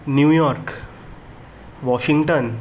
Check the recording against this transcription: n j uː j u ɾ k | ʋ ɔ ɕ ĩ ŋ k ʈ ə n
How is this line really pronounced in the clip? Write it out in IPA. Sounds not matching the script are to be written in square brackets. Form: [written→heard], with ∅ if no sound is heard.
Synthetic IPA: n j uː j [u→ɔ] ɾ k | ʋ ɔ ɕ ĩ ŋ [k→ɡ] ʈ ə n